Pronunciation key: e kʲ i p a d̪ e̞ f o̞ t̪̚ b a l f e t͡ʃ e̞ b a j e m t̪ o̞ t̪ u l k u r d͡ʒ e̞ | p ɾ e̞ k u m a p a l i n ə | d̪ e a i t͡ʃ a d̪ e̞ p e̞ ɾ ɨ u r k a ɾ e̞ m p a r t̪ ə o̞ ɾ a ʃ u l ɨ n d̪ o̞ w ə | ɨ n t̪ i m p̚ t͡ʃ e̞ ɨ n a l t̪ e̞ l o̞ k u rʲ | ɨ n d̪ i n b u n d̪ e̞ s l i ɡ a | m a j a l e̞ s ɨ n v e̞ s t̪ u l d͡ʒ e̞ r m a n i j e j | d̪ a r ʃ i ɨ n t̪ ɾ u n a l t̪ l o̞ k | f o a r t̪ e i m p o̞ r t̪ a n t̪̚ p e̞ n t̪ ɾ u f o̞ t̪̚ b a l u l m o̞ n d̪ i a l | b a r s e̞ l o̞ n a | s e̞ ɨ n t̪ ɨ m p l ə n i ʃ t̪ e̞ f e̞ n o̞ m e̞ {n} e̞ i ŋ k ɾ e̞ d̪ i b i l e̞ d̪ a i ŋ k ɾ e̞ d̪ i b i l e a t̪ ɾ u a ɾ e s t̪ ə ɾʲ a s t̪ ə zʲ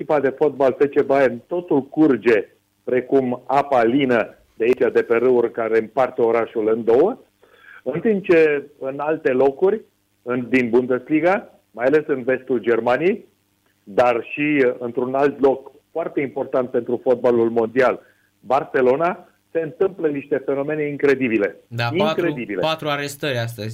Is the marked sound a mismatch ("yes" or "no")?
no